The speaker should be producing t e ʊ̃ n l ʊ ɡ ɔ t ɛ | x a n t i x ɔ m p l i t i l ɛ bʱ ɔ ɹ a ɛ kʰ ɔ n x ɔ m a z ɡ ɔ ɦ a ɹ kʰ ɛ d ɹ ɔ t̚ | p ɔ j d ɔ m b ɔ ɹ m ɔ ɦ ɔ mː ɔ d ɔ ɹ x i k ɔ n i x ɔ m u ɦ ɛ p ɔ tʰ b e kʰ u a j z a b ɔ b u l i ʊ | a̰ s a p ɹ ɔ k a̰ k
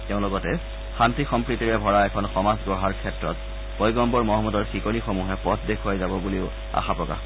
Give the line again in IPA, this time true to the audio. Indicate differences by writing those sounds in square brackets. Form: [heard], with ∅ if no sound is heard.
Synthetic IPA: t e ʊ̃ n l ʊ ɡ ɔ t ɛ | x a n t i x ɔ m p [ɹ] i t i [ɹ] ɛ bʱ ɔ ɹ a ɛ kʰ ɔ n x ɔ m a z ɡ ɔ ɦ a ɹ kʰ ɛ [t] ɹ ɔ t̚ | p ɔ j [ɡ] ɔ m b ɔ ɹ m ɔ ɦ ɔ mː ɔ d ɔ ɹ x i k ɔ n i x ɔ m u ɦ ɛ p ɔ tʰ [d] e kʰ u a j z a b ɔ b u l i ʊ | a̰ [x] a p ɹ ɔ k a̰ [x]